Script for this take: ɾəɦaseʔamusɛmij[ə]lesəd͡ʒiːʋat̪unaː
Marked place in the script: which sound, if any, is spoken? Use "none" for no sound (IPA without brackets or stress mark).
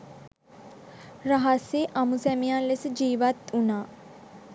a